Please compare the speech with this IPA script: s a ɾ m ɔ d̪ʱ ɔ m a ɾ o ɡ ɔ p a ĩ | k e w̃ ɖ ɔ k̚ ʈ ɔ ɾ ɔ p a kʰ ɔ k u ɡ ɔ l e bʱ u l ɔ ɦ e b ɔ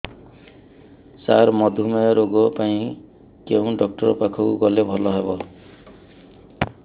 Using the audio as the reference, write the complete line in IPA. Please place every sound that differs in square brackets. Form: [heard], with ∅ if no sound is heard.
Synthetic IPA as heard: s a ɾ m ɔ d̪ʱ [u] m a ɾ o ɡ ɔ p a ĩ | k e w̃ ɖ ɔ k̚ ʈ ɔ ɾ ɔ p a kʰ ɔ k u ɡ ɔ l e bʱ [ɔ] l ɔ ɦ e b ɔ